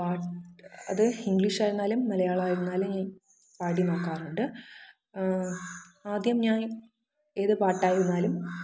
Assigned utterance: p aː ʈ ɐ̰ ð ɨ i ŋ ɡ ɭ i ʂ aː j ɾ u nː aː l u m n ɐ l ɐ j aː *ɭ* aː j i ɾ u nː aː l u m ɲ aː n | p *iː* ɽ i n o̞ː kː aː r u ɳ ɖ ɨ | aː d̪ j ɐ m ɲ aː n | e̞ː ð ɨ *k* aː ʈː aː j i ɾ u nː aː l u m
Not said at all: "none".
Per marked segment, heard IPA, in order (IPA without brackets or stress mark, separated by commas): ɭ, aː, p